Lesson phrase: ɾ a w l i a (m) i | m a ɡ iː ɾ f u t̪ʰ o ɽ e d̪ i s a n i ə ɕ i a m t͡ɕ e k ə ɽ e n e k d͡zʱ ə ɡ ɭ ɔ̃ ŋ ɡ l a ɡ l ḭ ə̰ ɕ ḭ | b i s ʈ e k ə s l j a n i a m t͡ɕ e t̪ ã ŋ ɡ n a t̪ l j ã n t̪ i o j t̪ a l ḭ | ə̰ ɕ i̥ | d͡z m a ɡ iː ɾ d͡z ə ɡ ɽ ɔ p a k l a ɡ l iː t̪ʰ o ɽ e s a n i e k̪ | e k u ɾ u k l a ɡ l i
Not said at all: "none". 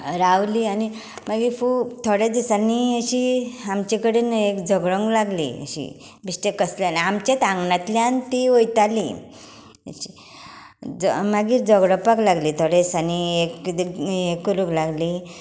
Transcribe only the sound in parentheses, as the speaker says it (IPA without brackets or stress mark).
n